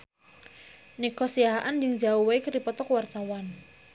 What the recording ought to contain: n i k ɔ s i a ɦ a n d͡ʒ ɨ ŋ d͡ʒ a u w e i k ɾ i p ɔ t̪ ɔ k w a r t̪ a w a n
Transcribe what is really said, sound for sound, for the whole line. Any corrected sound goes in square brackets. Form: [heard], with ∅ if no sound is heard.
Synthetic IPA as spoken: n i k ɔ s i a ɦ a n d͡ʒ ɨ ŋ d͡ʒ a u w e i k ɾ i p ɔ t̪ ɔ k w a r t̪ a w a n